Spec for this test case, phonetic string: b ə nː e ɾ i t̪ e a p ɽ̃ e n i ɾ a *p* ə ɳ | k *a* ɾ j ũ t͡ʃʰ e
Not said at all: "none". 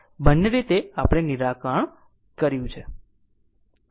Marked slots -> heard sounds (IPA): k, ə

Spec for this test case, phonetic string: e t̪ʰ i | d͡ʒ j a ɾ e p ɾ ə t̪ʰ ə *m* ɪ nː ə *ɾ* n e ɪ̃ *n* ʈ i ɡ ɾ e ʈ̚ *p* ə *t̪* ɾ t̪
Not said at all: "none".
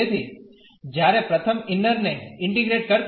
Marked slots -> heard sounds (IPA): m, ɾ, ɳ, k, none

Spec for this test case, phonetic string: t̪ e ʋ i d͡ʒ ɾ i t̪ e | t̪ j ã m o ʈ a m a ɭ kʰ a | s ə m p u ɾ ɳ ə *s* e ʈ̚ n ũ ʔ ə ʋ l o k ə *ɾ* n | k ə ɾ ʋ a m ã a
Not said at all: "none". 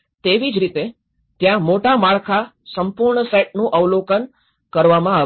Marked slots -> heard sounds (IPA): s, none

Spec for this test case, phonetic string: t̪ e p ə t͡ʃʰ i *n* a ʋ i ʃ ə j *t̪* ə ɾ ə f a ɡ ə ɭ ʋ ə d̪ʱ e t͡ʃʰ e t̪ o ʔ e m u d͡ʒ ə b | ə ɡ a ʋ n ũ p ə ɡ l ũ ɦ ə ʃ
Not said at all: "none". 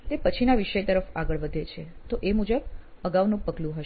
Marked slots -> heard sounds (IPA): n, t̪

